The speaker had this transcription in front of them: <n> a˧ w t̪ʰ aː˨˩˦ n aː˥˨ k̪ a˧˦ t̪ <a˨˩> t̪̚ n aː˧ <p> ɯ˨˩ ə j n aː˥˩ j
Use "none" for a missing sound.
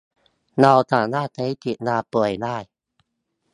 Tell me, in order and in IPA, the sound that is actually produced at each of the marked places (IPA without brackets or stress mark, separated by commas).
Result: n, i˨˩, p